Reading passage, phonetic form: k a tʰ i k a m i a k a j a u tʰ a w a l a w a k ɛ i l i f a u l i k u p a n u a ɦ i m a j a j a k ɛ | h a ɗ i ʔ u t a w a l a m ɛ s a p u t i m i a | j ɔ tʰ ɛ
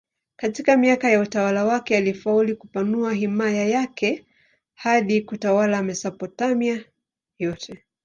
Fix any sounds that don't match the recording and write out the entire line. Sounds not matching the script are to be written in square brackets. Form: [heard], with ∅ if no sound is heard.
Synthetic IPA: k a [t] i k a m i a k a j a u [t] a w a l a w a k ɛ [a] l i f a u l i k u p a n u a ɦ i m a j a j a k ɛ | h a ɗ i [k] u t a w a l a m ɛ s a p [ɔ] t [a] m i a | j ɔ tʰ ɛ